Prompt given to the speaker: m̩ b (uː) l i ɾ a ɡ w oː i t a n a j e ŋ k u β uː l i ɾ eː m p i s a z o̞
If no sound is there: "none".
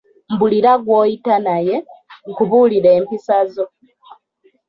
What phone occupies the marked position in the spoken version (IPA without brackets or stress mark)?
u